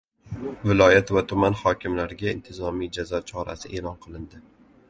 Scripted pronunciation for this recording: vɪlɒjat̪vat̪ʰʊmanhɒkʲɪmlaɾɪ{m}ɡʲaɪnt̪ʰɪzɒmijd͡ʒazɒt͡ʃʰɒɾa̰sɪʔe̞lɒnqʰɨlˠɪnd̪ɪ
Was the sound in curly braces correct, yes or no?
no